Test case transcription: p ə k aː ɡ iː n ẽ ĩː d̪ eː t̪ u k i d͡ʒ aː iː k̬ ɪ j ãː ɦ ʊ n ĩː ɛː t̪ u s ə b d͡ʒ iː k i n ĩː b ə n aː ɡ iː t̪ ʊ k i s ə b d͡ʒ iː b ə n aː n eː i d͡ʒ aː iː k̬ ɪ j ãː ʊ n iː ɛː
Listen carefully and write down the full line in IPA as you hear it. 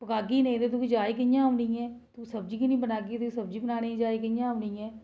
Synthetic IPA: p ə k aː ɡ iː n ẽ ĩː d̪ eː t̪ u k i d͡ʒ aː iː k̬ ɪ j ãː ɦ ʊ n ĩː ɛː t̪ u s ə b d͡ʒ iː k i n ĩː b ə n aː ɡ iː t̪ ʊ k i s ə b d͡ʒ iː b ə n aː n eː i d͡ʒ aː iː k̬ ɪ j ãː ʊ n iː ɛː